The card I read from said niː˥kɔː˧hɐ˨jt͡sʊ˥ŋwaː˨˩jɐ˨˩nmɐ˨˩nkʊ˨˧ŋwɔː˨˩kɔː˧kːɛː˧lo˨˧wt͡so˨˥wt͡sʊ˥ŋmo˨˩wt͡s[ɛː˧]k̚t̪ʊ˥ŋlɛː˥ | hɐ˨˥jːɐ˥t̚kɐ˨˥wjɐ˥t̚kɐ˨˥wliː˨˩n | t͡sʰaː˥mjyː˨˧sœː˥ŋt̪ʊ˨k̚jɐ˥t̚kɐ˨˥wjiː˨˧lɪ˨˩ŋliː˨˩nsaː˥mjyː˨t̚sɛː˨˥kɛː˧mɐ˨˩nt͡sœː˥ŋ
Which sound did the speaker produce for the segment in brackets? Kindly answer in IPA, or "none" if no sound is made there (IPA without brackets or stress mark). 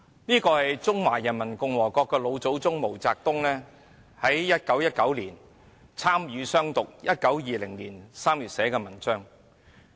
aː˧